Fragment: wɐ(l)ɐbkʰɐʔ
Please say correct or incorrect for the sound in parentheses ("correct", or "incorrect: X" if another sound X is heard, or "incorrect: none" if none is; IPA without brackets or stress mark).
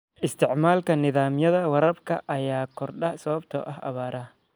incorrect: ɾ